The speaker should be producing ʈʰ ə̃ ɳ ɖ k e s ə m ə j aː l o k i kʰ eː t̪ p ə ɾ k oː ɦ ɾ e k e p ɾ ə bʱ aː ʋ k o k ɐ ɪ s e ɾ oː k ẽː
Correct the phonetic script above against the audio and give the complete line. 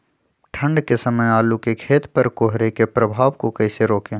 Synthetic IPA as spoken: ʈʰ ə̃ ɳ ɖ k e s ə m ə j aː l u k e kʰ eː t̪ p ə ɾ k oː ɦ ɾ e k e p ɾ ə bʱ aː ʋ k o k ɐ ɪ s e ɾ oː k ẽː